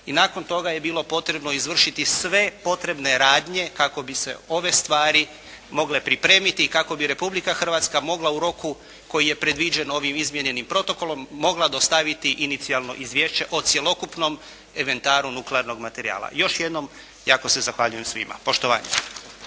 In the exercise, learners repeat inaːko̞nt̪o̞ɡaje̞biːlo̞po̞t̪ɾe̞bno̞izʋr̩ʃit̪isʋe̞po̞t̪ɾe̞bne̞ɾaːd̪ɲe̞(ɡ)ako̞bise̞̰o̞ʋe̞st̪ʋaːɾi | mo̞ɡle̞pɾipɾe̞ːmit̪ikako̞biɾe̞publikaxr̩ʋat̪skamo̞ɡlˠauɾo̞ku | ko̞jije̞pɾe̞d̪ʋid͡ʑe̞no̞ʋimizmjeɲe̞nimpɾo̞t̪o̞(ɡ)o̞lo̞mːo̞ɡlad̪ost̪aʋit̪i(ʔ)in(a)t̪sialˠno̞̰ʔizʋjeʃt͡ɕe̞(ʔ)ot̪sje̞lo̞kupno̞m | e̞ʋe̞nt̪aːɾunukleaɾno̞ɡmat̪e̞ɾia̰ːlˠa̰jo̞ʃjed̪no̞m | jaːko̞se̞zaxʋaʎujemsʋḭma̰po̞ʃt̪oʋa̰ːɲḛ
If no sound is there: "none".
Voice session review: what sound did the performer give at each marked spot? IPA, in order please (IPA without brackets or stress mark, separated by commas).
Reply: k, k, ʔ, i, ʔ